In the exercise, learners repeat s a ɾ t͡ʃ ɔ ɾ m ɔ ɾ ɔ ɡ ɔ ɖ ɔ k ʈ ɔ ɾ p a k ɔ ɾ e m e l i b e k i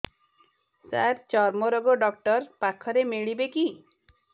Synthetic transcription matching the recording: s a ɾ t͡ʃ ɔ ɾ m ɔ ɾ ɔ ɡ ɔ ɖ ɔ k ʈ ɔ ɾ p a kʰ ɔ ɾ e m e ɭ i b e k i